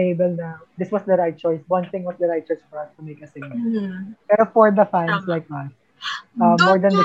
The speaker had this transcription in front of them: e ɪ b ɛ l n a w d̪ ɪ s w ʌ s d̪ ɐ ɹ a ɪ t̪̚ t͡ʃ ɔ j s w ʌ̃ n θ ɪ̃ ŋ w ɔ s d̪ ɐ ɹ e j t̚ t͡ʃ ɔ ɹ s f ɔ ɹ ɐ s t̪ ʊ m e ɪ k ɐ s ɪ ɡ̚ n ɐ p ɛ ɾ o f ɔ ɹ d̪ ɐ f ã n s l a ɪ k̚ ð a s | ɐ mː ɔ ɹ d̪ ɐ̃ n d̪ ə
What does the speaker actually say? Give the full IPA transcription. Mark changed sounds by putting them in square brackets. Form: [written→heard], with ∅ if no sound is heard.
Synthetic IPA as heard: e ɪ b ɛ l n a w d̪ ɪ s w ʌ s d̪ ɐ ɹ a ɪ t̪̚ t͡ʃ ɔ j s w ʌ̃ n θ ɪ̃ ŋ w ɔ s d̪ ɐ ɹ [e→a] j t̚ t͡ʃ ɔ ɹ s f ɔ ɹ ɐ s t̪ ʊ m e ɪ k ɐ s ɪ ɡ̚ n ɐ p ɛ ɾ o f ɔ ɹ d̪ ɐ f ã n s l a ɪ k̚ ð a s | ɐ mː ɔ ɹ d̪ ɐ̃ n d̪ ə